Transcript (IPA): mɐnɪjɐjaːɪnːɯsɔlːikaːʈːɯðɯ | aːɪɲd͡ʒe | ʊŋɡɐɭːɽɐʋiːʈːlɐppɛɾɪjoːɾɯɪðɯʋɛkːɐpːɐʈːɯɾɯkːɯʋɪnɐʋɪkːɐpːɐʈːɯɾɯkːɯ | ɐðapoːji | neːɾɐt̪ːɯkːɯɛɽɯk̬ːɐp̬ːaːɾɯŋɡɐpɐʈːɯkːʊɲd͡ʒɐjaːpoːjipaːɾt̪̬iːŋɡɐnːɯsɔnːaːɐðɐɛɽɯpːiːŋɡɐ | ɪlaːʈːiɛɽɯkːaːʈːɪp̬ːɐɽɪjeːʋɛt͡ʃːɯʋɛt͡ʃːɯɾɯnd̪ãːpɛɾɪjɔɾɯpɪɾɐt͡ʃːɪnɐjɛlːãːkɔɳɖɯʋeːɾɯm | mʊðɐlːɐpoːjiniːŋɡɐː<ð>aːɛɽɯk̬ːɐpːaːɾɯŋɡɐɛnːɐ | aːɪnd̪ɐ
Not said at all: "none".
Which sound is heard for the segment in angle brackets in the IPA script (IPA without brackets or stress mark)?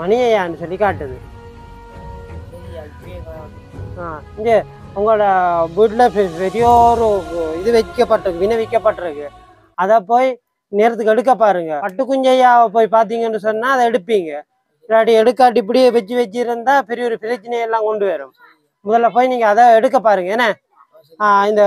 ð